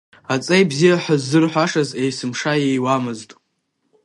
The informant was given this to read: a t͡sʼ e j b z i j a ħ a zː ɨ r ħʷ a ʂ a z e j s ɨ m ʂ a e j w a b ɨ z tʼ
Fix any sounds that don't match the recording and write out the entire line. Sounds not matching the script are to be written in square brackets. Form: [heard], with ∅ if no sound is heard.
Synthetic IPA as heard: a t͡sʼ e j b z i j a ħ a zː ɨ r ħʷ a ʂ a z e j s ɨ m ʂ a e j w a [m] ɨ z tʼ